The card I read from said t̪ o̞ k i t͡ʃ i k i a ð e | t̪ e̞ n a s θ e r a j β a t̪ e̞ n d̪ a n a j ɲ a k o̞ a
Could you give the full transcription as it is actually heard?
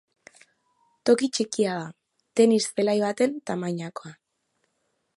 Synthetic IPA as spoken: t̪ o̞ k i t͡ʃ i k i a ð a | t̪ e̞ n i s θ e l a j β a t̪ e̞ n t̪ a m a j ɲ a k o̞ a